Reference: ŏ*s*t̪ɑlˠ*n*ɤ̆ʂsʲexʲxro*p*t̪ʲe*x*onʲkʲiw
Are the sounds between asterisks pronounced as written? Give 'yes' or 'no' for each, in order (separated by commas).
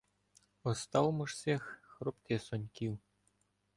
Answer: yes, no, yes, no